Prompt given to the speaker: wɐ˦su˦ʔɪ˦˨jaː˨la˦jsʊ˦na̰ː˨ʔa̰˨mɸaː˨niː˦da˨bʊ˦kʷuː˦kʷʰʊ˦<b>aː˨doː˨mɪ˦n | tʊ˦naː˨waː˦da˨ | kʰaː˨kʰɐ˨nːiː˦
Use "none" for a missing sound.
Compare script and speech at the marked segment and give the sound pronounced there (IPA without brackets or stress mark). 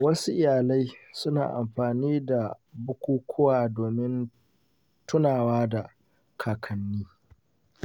w